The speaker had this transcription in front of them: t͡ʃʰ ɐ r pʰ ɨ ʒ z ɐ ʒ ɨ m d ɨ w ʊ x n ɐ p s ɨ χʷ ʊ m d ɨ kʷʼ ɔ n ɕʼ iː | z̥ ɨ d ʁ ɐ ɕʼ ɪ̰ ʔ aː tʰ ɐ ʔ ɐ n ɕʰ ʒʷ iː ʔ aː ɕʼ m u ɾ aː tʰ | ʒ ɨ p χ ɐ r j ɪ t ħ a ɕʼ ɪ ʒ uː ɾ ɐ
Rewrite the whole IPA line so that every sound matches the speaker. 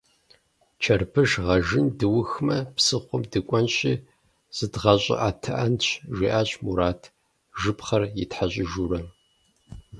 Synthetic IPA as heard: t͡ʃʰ ɐ r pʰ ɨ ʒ ʁ ɐ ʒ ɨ n d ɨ w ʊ x m ɐ p s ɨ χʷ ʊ m d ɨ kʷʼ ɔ n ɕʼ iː | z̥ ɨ d ʁ ɐ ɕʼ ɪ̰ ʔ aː tʰ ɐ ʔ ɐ n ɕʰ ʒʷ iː ʔ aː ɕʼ m u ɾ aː tʰ | ʒ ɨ p χ ɐ r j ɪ t ħ a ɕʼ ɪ ʒ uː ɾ ɐ